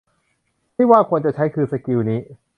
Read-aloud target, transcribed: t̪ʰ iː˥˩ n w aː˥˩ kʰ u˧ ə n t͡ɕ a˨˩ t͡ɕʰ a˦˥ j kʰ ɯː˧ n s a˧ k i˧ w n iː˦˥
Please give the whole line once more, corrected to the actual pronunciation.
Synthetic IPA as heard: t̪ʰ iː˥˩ w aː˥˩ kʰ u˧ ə n t͡ɕ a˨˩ t͡ɕʰ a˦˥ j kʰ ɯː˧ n s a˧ k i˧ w n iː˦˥